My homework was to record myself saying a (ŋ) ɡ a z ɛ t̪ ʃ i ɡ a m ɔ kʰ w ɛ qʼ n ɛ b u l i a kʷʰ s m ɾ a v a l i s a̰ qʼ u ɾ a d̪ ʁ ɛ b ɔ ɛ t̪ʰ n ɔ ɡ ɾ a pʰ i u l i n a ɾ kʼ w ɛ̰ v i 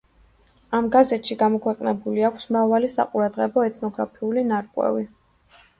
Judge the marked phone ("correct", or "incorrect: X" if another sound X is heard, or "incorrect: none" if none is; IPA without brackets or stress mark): incorrect: m